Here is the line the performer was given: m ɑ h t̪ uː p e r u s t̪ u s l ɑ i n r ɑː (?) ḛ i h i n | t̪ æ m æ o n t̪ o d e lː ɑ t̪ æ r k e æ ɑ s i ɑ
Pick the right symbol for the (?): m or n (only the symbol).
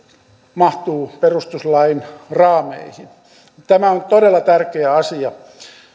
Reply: m